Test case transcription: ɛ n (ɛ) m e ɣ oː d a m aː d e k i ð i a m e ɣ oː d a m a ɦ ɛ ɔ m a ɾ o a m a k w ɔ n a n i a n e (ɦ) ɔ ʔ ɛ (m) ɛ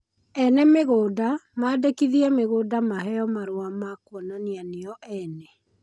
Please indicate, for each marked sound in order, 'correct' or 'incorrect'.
correct, incorrect, incorrect

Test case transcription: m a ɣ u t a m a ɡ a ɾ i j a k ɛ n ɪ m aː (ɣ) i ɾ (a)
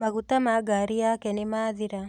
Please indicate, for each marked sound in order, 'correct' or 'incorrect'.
incorrect, correct

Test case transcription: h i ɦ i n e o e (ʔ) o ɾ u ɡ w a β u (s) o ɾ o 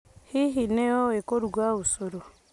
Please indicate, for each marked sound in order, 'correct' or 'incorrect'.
incorrect, correct

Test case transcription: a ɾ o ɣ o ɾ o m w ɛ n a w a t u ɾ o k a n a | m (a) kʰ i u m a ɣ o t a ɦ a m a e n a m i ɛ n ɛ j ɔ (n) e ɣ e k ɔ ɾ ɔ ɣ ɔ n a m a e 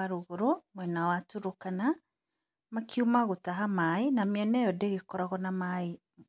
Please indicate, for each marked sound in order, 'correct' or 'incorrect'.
correct, incorrect

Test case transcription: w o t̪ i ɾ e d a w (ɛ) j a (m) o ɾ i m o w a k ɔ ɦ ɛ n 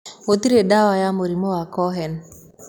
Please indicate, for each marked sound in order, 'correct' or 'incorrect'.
incorrect, correct

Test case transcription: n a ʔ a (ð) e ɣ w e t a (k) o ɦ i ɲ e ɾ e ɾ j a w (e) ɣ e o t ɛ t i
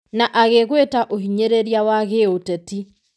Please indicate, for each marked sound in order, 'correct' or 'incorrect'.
incorrect, incorrect, incorrect

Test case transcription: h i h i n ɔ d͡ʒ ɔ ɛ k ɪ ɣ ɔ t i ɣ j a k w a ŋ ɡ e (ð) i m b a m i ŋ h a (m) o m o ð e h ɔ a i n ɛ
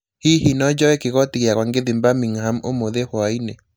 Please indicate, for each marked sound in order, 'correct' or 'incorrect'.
correct, correct

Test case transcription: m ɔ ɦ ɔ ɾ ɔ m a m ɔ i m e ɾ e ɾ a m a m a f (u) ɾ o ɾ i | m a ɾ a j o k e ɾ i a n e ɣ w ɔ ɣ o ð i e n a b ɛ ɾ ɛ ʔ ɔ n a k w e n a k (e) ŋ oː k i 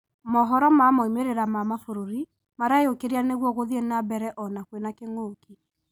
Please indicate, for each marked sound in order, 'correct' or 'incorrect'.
incorrect, correct

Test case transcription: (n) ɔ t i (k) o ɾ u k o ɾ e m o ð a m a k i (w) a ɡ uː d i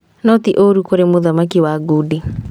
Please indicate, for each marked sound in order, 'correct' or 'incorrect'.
correct, incorrect, correct

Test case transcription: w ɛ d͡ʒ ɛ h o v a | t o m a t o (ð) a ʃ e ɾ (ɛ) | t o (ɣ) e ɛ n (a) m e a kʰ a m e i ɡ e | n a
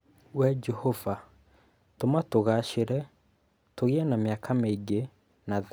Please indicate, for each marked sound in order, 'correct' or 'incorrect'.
incorrect, correct, correct, correct

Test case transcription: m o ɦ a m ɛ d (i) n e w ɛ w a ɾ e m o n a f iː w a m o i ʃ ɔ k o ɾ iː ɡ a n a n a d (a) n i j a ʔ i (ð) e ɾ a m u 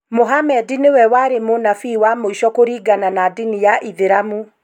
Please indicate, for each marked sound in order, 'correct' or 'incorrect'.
correct, incorrect, correct

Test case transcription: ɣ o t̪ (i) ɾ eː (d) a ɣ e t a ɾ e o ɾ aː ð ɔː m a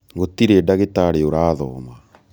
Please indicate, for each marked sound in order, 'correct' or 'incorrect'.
correct, correct

